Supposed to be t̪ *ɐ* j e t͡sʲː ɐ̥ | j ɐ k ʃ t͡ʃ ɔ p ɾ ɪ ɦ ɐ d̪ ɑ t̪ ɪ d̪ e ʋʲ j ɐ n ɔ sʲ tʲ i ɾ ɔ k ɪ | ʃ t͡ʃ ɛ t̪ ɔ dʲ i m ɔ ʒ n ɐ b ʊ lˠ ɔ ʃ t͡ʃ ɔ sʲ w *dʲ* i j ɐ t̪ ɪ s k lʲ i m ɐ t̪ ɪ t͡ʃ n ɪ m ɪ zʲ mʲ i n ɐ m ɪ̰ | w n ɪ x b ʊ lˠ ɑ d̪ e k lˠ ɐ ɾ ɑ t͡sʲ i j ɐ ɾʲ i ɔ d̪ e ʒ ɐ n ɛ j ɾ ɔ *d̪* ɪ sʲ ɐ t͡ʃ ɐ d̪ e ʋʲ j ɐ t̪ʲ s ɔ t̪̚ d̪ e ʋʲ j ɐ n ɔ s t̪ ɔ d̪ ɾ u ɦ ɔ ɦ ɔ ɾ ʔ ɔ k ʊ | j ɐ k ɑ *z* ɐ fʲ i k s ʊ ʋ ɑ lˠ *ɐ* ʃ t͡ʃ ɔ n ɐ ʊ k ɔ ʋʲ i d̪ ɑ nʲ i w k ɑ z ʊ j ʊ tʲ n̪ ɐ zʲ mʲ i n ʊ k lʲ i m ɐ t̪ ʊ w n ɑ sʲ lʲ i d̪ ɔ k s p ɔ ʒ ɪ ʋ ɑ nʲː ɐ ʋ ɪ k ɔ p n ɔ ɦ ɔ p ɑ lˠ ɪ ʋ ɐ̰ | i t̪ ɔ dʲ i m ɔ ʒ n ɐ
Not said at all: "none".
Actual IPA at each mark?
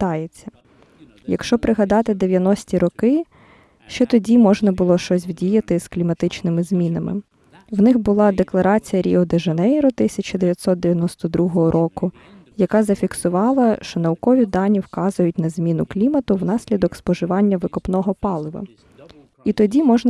ɑ, dʲ, t̪, z, ɐ

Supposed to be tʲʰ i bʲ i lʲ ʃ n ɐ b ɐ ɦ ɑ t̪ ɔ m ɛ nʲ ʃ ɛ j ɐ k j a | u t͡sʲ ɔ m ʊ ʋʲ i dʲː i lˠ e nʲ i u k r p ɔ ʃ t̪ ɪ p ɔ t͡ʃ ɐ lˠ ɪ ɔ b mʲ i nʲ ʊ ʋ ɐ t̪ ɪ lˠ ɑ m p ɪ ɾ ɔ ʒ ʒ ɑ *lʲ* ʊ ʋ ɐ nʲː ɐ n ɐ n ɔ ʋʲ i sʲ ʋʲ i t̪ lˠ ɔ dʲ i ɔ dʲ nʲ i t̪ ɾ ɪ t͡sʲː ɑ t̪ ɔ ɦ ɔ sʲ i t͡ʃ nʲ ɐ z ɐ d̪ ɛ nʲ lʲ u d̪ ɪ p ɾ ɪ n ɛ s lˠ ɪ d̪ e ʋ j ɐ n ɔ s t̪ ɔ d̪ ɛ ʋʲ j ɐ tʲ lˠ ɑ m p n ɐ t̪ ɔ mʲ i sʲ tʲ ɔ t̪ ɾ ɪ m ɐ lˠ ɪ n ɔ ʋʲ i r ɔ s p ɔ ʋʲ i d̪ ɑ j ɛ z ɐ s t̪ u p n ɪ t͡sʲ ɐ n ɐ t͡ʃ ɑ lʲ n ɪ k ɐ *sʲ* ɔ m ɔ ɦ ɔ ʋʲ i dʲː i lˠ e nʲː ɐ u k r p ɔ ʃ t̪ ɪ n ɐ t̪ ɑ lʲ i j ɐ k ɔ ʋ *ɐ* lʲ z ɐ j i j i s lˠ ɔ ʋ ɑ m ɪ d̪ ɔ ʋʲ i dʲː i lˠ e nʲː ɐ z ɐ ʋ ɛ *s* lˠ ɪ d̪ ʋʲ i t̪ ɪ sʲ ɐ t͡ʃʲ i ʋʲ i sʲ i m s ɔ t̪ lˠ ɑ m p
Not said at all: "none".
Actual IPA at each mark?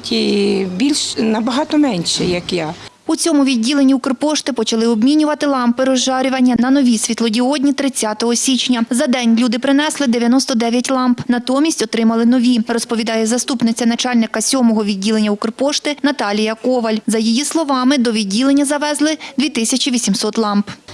ɾʲ, sʲ, ɐ, z

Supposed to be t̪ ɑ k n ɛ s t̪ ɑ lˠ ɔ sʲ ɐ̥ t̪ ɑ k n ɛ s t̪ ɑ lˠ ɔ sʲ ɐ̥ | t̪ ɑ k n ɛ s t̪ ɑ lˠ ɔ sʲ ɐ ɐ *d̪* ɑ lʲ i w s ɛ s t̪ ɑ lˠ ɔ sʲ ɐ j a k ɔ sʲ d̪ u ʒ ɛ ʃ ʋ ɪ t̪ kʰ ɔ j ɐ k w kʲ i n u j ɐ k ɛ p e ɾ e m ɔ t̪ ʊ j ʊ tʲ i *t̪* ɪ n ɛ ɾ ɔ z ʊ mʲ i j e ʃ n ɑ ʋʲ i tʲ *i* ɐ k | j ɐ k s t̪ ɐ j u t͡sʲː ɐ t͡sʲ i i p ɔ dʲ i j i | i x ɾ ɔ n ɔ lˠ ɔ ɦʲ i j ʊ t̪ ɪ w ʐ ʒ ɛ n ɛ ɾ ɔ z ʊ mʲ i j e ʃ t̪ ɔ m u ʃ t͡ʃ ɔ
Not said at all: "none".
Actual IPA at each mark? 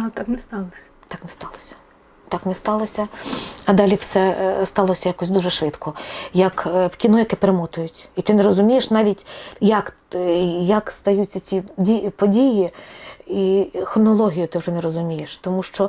d̪, t̪, j

